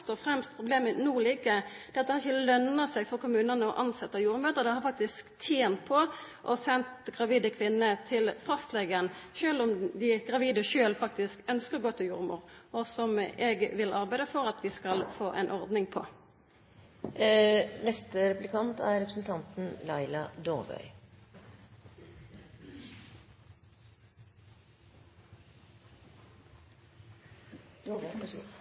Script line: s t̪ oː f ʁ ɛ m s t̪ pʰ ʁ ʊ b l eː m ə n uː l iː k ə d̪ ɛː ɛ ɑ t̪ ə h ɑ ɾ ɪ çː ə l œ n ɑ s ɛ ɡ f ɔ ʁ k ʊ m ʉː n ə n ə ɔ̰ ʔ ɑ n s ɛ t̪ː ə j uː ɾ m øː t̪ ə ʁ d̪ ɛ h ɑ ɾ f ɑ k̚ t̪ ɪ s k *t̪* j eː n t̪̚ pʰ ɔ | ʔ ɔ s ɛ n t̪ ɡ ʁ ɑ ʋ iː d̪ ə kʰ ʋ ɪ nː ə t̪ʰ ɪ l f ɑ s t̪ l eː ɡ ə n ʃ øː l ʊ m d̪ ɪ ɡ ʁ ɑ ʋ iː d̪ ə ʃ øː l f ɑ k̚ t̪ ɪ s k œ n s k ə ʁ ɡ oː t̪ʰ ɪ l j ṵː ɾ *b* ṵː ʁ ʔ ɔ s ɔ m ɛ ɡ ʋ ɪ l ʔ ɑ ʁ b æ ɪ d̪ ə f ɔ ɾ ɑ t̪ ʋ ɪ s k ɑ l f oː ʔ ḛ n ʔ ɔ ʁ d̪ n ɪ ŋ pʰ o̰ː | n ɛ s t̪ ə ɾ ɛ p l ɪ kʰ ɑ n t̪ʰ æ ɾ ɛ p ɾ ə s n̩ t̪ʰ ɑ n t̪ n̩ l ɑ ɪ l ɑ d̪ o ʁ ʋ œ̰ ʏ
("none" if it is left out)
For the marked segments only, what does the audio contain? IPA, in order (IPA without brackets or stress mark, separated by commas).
t̪ʰ, m